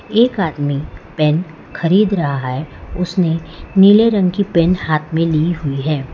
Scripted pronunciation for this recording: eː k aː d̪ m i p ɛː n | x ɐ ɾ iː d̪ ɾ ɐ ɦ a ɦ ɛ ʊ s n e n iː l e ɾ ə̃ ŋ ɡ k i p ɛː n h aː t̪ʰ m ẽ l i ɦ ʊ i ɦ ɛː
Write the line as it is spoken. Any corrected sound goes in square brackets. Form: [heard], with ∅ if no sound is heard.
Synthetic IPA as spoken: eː k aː d̪ m i p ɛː n | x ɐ ɾ iː d̪ ɾ ɐ ɦ a ɦ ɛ ʊ s n e n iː l e ɾ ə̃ ŋ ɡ k i p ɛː n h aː t̪ʰ m ẽ l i ɦ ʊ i ɦ ɛː